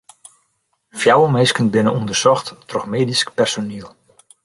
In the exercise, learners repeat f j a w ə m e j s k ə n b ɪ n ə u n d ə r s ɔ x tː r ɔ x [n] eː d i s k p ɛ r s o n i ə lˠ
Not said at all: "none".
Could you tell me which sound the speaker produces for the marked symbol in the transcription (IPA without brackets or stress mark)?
m